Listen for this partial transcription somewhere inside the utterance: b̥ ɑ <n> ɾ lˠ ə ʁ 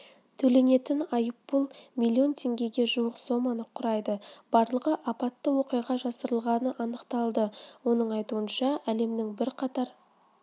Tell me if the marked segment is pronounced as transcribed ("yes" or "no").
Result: no